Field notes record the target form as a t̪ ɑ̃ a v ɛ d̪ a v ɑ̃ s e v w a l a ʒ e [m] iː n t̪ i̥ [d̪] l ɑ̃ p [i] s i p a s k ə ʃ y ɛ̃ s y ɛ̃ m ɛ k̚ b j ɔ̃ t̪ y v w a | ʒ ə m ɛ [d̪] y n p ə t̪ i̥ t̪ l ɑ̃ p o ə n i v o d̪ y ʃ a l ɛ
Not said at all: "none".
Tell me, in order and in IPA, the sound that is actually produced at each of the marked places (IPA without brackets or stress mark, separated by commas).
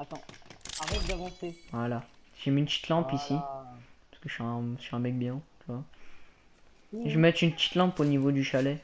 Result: m, t̪, i, t̪